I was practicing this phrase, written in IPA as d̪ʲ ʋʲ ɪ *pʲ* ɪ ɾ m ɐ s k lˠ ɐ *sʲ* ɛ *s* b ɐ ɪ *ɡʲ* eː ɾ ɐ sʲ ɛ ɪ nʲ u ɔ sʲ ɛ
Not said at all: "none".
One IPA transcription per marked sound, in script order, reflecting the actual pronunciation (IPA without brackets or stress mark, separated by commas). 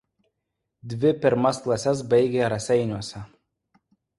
pʲ, sʲ, s, ɡʲ